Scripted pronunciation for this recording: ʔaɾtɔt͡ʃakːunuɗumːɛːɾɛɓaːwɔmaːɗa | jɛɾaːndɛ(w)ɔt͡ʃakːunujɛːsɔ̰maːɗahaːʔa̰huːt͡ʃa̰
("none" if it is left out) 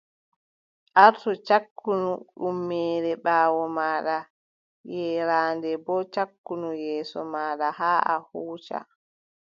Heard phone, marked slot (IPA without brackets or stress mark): b